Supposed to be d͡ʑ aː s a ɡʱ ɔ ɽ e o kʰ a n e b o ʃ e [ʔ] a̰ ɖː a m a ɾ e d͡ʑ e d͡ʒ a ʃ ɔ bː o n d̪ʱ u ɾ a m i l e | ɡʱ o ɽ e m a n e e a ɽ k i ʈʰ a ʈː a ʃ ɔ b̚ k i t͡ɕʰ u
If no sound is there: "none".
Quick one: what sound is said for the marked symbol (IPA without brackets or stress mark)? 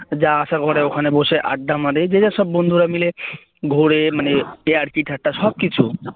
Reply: ʔ